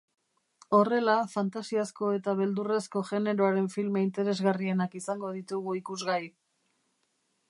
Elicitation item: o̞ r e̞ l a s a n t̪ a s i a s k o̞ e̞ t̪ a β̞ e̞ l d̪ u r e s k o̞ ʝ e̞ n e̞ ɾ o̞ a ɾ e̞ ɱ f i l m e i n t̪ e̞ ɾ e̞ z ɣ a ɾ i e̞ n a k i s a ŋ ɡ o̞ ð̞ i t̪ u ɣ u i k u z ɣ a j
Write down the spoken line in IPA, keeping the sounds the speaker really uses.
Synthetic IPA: o̞ r e̞ l a f a n t̪ a s i a s k o̞ e̞ t̪ a β̞ e̞ l d̪ u r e s k o̞ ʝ e̞ n e̞ ɾ o̞ a ɾ e̞ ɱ f i l m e i n t̪ e̞ ɾ e̞ z ɣ a r i e̞ n a k i s a ŋ ɡ o̞ ð̞ i t̪ u ɣ u i k u z ɣ a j